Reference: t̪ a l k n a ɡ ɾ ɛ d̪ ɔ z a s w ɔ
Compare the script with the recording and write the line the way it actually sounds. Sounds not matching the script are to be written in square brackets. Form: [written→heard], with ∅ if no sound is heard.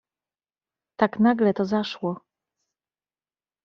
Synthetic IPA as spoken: t̪ a [l→∅] k n a ɡ [ɾ→l] ɛ [d̪→t̪] ɔ z a [s→ʂ] w ɔ

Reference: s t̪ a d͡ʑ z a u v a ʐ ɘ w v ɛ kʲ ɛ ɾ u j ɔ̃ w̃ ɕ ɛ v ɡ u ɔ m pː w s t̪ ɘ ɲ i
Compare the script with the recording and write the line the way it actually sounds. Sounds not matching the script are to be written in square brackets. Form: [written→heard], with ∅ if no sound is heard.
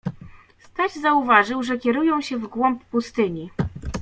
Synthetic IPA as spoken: s t̪ a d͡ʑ z a u v a ʐ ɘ w [v→ʐ] ɛ kʲ ɛ ɾ u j ɔ̃ w̃ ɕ ɛ v ɡ [u→w] ɔ m pː [w→u] s t̪ ɘ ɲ i

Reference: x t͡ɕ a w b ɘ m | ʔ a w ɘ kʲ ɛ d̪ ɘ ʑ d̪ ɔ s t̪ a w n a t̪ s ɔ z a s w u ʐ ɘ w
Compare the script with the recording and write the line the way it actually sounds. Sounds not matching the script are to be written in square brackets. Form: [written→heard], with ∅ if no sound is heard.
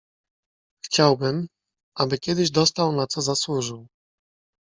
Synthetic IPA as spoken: x t͡ɕ a w b ɘ m | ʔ a [w→b] ɘ kʲ ɛ d̪ ɘ ʑ d̪ ɔ s t̪ a w n a t̪ s ɔ z a s w u ʐ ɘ w

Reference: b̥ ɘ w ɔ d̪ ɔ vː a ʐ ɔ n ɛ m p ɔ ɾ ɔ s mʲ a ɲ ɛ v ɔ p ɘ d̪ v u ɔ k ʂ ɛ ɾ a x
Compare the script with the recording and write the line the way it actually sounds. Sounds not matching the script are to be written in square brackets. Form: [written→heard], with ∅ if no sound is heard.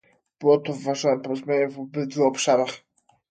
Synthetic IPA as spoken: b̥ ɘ w ɔ [d̪→t̪] ɔ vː a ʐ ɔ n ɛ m p ɔ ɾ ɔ [s→z] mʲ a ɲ ɛ v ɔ [p→b] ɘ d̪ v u ɔ [k→p] ʂ [ɛ→a] ɾ a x

